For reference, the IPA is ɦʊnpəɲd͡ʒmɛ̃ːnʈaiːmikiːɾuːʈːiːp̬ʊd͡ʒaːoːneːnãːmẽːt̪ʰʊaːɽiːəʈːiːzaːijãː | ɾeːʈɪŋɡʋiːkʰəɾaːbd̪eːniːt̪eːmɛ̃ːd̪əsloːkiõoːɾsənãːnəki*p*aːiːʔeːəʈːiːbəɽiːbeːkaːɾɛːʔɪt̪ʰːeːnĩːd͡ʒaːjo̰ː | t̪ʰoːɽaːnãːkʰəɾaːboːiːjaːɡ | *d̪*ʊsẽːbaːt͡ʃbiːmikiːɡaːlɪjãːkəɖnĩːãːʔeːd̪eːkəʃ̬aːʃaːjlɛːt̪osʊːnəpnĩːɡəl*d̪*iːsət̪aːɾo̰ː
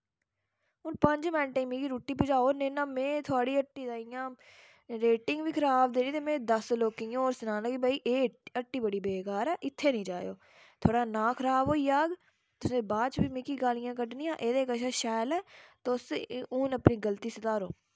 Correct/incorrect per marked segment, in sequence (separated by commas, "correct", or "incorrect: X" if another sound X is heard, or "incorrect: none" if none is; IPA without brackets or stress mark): incorrect: b, incorrect: t̪, incorrect: t̪